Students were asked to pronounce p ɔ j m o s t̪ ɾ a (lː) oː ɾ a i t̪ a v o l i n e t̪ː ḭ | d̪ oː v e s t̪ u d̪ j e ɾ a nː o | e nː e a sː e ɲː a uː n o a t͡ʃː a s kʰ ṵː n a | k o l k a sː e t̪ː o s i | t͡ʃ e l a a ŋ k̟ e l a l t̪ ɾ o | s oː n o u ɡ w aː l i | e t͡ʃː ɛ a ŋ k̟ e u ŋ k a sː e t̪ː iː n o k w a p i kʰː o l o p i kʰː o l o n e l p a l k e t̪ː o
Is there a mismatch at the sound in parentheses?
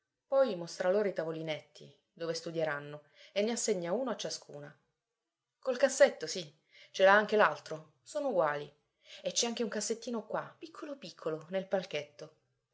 yes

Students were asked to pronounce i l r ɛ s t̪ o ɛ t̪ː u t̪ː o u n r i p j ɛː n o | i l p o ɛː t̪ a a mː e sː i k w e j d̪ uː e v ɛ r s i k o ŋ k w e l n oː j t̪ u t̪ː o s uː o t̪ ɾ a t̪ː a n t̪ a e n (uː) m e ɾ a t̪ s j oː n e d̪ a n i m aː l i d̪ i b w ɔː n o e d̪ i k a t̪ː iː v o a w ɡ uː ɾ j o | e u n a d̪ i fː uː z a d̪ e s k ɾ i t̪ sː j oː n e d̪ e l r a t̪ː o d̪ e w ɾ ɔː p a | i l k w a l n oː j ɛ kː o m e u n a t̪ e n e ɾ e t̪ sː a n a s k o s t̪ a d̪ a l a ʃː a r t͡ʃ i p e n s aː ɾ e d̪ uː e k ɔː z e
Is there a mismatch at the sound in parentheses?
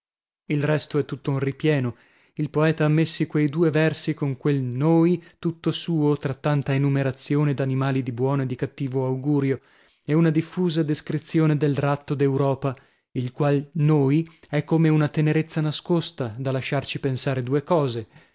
yes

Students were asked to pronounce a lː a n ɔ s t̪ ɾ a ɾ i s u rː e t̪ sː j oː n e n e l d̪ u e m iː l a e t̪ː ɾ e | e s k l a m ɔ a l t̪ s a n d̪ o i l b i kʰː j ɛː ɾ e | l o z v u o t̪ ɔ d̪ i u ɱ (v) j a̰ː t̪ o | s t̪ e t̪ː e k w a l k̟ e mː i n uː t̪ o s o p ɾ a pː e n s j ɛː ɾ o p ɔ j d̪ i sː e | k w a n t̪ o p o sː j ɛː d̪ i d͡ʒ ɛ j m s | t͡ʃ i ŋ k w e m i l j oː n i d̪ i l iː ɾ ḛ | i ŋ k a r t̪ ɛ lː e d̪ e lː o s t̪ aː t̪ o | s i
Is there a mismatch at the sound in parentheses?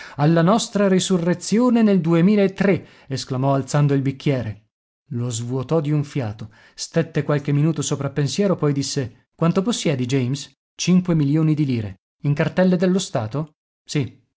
yes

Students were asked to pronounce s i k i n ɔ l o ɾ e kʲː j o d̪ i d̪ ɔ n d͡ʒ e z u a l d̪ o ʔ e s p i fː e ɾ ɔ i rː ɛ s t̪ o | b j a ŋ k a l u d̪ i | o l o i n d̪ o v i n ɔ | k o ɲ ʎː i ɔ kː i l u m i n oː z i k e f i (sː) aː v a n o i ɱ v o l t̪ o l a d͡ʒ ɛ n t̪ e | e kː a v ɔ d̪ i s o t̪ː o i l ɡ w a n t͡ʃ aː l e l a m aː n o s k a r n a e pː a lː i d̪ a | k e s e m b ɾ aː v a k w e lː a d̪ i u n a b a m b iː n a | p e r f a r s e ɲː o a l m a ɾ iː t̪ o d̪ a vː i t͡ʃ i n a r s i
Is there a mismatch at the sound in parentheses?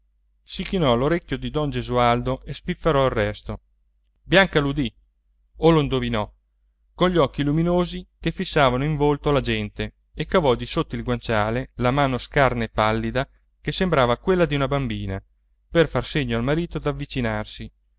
no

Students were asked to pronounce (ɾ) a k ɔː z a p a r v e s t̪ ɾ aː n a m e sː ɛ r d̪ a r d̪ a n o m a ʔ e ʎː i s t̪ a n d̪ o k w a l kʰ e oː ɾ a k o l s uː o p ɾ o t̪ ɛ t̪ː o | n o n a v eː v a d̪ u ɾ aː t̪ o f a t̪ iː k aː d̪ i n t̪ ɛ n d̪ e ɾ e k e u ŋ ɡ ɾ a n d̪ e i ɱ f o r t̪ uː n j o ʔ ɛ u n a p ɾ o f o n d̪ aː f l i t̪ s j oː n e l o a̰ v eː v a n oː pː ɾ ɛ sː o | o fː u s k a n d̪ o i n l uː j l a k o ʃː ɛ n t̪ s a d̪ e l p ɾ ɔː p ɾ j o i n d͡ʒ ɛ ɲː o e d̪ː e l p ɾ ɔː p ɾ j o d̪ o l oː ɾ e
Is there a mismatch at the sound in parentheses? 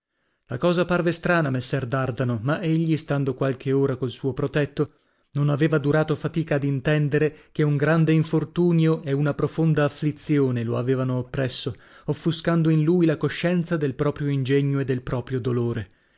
yes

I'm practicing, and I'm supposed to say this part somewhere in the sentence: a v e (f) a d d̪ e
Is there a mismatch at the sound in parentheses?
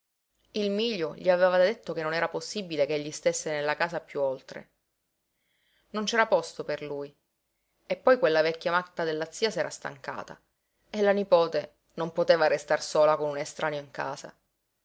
yes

